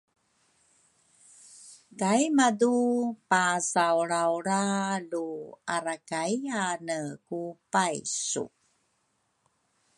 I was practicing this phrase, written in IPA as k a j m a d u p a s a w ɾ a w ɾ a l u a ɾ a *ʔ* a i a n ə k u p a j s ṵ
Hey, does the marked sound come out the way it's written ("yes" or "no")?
no